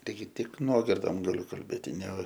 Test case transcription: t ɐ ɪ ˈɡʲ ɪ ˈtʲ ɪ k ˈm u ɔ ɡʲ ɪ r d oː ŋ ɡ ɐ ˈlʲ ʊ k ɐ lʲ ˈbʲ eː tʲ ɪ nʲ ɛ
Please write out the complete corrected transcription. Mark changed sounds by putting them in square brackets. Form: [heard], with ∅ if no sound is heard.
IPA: t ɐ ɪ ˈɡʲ ɪ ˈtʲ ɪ k [ˈn] u ɔ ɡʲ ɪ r d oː [m] ɡ ɐ ˈlʲ ʊ k ɐ lʲ ˈbʲ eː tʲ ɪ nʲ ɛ